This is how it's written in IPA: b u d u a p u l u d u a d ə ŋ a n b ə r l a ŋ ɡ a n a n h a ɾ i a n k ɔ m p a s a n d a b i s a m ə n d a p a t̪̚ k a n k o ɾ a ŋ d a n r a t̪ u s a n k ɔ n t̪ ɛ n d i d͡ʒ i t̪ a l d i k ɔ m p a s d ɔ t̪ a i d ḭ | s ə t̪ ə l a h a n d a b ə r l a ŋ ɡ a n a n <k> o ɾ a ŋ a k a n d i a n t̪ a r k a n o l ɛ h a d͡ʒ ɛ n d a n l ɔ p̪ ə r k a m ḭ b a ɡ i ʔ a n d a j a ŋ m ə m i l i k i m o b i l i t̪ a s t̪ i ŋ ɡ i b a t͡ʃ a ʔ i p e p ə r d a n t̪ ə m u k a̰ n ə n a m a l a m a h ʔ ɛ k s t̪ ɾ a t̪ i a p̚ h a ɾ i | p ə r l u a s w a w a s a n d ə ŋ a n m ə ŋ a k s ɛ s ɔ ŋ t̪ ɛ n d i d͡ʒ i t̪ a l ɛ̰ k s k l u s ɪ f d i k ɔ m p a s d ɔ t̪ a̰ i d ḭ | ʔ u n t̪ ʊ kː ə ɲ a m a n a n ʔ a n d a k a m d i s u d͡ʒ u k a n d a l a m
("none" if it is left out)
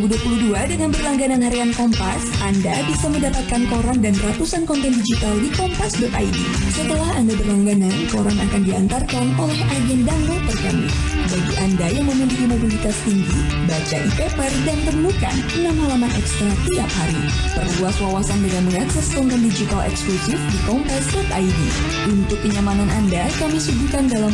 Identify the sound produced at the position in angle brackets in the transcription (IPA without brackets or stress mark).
k